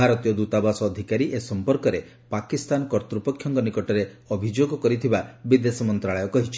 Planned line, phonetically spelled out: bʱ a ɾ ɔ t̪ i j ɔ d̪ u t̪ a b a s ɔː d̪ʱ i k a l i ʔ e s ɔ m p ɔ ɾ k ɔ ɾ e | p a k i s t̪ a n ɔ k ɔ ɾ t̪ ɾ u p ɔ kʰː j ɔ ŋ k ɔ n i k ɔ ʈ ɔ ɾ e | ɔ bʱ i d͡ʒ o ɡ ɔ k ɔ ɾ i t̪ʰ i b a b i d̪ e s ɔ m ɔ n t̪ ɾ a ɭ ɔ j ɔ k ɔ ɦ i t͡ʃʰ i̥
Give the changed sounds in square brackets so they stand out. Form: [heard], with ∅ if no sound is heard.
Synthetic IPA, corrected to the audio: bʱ a ɾ ɔ t̪ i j ɔ d̪ u t̪ a b a s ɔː d̪ʱ i k a [ɾ] i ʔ e s ɔ m p ɔ ɾ k ɔ ɾ e | p a k i s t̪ a n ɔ k ɔ ɾ t̪ ɾ u p ɔ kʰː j ɔ ŋ k ɔ n i k ɔ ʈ ɔ ɾ e | ɔ bʱ i d͡ʒ o ɡ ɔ k ɔ ɾ i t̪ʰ i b a b i d̪ e s ɔ m ɔ n t̪ ɾ a ɭ ɔ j ɔ k ɔ ɦ i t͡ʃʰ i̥